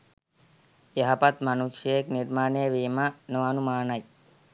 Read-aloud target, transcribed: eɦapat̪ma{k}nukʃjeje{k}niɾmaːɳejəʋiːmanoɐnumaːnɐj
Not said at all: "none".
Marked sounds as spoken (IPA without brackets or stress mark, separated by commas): none, k